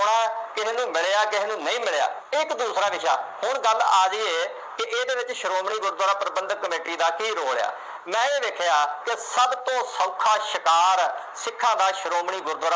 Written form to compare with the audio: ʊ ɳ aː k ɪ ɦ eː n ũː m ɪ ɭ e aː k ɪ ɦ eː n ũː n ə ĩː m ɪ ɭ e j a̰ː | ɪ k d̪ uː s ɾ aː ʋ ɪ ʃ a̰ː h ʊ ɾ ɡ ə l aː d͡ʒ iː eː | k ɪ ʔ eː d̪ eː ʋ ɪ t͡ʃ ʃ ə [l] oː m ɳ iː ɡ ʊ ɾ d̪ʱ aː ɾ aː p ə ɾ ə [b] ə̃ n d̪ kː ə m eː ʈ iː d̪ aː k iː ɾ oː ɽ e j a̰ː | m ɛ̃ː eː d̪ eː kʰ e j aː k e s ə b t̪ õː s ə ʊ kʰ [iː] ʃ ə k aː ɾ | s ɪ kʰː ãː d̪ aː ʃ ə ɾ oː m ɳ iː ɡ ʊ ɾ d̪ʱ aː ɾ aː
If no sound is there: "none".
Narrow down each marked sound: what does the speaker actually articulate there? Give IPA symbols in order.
ɾ, b, aː

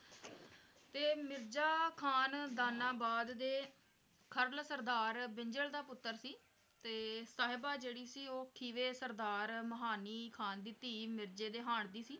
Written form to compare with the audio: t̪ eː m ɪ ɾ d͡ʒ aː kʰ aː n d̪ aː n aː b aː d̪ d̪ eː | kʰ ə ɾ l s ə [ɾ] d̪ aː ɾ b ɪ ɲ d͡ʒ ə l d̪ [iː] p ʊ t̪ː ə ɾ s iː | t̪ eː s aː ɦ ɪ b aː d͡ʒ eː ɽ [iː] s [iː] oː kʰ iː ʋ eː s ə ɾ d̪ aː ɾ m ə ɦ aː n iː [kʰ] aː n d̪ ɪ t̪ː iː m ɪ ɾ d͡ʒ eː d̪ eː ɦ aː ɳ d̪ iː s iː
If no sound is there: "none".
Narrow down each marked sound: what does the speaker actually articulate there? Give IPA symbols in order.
ɾ, aː, iː, iː, kʰ

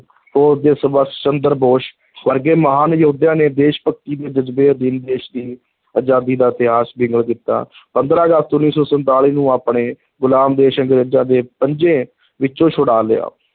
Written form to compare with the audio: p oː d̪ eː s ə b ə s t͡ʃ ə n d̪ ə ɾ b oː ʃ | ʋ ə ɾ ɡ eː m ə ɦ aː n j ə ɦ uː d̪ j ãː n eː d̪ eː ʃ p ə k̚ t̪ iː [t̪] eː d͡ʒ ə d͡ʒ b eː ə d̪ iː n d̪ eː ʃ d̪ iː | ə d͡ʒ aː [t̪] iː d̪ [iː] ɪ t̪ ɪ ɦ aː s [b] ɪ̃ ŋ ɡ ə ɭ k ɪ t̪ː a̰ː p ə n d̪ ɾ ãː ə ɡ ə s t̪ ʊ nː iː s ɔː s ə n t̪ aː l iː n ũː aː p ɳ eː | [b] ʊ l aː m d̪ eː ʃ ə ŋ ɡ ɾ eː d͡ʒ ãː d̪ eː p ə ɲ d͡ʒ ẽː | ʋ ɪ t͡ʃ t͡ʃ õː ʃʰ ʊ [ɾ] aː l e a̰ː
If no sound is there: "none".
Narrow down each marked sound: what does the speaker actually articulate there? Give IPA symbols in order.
d̪, d̪, aː, b, ɡ, ɽ

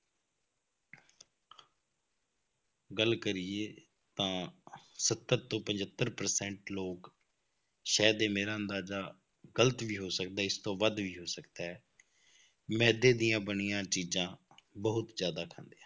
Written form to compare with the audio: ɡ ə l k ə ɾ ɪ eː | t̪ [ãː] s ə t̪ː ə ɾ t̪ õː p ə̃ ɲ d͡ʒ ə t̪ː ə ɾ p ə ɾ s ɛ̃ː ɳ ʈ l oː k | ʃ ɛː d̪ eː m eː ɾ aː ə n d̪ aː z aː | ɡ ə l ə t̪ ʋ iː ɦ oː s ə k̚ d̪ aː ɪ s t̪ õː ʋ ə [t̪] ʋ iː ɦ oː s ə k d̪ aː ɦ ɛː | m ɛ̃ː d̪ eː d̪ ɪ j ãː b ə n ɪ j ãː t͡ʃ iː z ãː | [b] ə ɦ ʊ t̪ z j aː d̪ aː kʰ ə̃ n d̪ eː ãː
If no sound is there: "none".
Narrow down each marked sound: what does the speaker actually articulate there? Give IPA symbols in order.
ãː, d̪, b

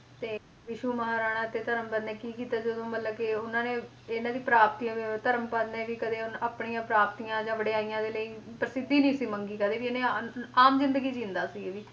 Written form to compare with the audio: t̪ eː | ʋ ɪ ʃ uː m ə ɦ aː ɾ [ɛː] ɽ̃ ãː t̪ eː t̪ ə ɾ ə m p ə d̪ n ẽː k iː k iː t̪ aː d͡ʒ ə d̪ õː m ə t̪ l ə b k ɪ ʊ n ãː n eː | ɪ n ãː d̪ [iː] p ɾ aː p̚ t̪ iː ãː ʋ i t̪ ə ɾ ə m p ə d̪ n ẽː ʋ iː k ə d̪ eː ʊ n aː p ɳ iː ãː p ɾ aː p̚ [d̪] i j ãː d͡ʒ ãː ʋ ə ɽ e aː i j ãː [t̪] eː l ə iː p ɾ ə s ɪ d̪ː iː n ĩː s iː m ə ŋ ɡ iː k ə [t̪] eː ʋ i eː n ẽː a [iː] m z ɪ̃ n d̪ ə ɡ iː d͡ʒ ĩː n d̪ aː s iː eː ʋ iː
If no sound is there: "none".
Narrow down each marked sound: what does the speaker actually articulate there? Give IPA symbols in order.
aː, iː, t̪, d̪, d̪, aː

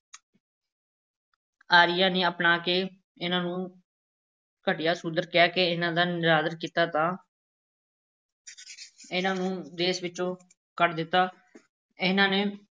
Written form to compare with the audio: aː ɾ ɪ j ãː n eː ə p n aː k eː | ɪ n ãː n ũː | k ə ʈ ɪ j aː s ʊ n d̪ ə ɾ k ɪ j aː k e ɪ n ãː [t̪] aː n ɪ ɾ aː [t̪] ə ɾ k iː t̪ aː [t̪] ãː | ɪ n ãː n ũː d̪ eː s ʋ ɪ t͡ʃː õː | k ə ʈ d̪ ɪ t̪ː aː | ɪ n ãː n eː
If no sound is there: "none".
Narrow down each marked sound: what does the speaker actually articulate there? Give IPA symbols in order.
d̪, d̪, t̪

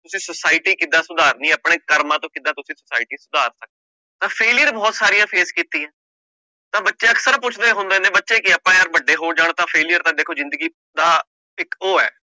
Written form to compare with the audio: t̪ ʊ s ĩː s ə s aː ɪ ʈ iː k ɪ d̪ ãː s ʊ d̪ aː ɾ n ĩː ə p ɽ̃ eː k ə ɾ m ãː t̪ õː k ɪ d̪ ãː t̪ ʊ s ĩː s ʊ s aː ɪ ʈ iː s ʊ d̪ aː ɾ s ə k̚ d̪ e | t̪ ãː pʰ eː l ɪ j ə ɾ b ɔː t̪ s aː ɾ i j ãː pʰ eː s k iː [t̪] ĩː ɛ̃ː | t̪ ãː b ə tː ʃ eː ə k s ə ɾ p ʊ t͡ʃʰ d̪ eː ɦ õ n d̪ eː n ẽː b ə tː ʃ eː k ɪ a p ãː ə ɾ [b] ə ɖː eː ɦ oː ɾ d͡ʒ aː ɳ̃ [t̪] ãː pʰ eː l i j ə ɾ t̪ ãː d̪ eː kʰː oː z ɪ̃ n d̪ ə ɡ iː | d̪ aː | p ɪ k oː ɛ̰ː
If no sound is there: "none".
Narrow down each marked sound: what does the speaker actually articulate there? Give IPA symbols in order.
t̪, b, t̪

